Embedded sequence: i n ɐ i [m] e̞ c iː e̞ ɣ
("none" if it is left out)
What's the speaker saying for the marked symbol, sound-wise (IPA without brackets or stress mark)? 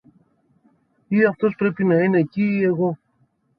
n